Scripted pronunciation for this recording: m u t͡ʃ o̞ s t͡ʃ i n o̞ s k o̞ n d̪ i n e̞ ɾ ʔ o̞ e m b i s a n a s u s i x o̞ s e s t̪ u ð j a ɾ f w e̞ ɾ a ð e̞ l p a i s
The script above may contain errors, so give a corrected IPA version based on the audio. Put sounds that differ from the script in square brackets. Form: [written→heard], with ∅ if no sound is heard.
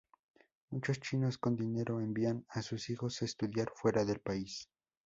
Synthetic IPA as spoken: m u t͡ʃ o̞ s t͡ʃ i n o̞ s k o̞ n d̪ i n e̞ ɾ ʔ o̞ e m b i [s→∅] a n a s u s i x o̞ s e s t̪ u ð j a ɾ f w e̞ ɾ a ð e̞ l p a i s